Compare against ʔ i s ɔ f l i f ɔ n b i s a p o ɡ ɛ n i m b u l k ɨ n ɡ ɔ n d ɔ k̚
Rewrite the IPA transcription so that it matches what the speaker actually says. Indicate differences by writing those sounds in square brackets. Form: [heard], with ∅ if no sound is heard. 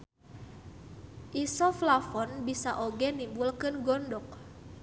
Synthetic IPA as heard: ʔ i s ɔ f l [a] f ɔ n b i s a [ʔ] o ɡ ɛ n i m b u l k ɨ n ɡ ɔ n d ɔ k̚